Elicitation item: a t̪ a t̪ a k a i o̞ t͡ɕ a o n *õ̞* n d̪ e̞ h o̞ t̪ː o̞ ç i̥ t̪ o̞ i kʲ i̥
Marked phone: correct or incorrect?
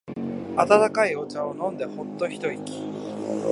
correct